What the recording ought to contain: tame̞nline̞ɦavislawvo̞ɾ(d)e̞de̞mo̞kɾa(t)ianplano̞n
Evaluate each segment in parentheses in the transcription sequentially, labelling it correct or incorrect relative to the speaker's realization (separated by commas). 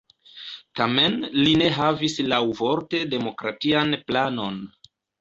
incorrect, correct